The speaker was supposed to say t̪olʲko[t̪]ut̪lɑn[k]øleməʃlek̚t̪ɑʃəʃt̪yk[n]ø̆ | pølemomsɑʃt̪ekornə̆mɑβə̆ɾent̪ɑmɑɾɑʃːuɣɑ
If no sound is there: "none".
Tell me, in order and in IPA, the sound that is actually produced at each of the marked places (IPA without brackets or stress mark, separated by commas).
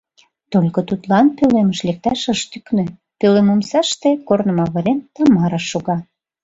t̪, p, n